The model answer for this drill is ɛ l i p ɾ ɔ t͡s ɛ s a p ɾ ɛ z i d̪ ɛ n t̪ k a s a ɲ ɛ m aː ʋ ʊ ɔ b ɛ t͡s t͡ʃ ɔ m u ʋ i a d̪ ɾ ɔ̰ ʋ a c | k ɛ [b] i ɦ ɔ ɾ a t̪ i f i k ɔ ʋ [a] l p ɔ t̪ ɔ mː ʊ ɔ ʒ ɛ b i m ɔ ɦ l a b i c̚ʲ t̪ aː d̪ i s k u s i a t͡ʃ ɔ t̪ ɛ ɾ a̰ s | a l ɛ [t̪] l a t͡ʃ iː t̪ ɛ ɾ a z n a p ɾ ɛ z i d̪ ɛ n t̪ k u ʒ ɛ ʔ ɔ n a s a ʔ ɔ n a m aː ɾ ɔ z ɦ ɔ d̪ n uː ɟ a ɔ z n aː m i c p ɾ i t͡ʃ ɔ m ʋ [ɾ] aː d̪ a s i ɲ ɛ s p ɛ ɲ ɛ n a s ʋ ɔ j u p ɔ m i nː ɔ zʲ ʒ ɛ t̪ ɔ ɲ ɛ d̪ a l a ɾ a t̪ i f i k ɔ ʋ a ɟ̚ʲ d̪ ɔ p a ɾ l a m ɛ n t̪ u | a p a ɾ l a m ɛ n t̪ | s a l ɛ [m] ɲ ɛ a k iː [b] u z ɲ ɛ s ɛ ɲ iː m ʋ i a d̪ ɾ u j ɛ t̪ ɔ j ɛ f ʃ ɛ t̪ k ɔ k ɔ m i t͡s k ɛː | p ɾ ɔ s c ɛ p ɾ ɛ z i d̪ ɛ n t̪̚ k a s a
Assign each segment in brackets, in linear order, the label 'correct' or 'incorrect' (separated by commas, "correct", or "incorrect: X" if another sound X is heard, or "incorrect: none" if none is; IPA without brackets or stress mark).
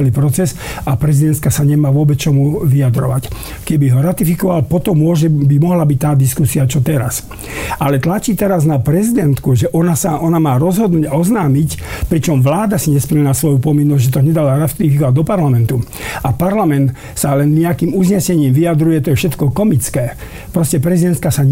correct, correct, correct, incorrect: l, incorrect: n, incorrect: m